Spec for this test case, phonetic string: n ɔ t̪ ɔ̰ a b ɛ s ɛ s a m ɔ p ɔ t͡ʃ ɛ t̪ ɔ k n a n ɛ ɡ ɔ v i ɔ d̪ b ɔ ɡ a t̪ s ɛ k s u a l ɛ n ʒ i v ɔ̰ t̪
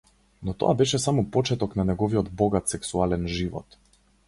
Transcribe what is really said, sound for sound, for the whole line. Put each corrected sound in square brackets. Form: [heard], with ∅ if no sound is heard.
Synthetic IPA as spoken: n ɔ t̪ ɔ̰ a b ɛ [ʃ] ɛ s a m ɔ p ɔ t͡ʃ ɛ t̪ ɔ k n a n ɛ ɡ ɔ v i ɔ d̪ b ɔ ɡ a t̪ s ɛ k s u a l ɛ n ʒ i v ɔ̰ t̪